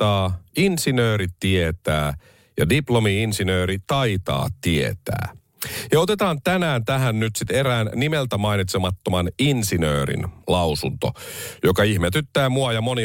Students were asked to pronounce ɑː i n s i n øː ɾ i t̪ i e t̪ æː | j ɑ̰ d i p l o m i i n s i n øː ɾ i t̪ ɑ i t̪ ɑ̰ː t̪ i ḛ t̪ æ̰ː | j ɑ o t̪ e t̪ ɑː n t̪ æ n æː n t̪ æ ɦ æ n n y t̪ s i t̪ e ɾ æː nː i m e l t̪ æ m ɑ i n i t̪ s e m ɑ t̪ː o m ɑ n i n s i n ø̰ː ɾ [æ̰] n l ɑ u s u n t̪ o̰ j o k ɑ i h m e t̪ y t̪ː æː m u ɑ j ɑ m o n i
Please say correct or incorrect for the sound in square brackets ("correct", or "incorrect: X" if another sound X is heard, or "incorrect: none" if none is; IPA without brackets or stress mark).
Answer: incorrect: ḭ